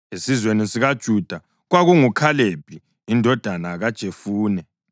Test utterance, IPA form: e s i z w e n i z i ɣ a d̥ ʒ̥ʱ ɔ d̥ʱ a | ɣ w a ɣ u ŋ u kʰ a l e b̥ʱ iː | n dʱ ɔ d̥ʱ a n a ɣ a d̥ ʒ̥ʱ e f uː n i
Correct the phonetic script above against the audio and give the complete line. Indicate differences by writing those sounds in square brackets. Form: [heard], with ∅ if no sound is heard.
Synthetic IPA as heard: e s i z w e n i [s] i ɣ a d̥ ʒ̥ʱ [u] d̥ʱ a | ɣ w a ɣ u ŋ u kʰ a l e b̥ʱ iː | n dʱ ɔ d̥ʱ a n a ɣ a d̥ ʒ̥ʱ e f uː n [ɛ]